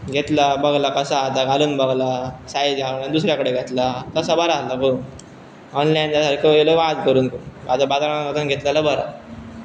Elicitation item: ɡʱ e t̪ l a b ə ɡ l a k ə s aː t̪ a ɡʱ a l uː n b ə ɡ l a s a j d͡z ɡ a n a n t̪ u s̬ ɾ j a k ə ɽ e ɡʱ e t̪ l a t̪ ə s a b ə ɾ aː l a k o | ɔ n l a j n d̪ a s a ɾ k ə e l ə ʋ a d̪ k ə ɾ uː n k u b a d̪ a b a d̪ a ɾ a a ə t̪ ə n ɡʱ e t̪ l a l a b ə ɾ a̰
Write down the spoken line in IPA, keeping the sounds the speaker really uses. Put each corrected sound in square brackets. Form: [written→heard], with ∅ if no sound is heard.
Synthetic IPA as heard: ɡʱ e t̪ l a b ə ɡ l a k ə s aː t̪ a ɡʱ a l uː n b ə ɡ l a s a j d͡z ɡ a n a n [t̪→d̪] u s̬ ɾ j a k ə ɽ e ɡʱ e t̪ l a t̪ ə s a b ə ɾ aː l a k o | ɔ n l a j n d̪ a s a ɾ k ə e l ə ʋ a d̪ k ə ɾ uː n k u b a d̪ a b a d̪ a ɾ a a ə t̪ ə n ɡʱ e t̪ l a l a b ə ɾ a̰